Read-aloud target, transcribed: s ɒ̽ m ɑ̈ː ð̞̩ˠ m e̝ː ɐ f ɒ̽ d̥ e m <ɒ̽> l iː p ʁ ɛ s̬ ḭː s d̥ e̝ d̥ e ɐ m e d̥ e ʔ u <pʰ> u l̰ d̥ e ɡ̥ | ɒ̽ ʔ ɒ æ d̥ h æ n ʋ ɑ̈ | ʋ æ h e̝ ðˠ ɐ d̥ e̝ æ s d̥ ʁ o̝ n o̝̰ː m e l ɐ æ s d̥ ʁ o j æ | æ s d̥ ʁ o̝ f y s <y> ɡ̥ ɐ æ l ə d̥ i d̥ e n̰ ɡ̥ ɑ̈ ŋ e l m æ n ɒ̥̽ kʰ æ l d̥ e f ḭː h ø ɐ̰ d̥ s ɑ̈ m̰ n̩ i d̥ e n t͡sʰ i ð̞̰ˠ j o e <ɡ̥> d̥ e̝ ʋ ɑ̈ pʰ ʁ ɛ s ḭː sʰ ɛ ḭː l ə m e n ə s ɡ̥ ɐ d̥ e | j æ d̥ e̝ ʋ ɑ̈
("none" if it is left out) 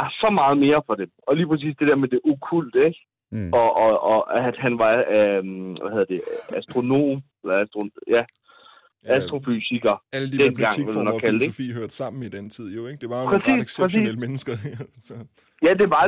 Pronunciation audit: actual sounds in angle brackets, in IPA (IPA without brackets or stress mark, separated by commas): ɒ̽, kʰ, i, ɡ̥